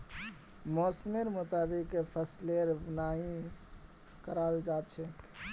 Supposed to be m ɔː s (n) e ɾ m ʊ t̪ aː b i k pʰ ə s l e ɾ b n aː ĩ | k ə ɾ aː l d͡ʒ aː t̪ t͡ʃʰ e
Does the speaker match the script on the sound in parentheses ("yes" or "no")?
no